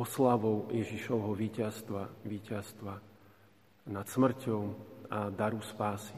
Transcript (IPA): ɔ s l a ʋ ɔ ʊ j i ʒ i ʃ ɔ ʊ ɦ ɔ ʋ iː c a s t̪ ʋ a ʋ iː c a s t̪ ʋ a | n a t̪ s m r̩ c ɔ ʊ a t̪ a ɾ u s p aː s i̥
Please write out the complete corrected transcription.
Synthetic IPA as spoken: ɔ s l a ʋ ɔ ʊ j ɛ ʒ i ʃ ɔ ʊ ɦ ɔ ʋ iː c a s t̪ ʋ a ʋ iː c a s t̪ ʋ a | n a t̪ s m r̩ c ɔ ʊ a d̪ a ɾ u s p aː s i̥